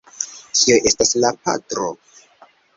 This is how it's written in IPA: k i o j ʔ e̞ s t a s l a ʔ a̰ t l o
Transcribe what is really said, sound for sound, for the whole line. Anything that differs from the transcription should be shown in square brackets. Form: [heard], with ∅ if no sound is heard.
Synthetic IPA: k i o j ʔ e̞ s t a s l a [p] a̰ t [ɾ] o